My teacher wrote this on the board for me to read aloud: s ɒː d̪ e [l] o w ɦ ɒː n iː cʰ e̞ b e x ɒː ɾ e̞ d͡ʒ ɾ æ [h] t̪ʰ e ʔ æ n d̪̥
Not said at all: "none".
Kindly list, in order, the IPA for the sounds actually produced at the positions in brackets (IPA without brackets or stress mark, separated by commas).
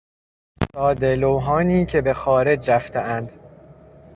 l, f